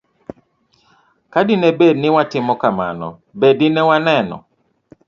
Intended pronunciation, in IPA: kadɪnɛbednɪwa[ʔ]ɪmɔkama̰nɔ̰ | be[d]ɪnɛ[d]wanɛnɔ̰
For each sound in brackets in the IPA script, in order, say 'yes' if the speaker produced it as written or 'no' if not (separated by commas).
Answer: no, yes, no